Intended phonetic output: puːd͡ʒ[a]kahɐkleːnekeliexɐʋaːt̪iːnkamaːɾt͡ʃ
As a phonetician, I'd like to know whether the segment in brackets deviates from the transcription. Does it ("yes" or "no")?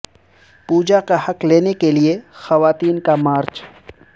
no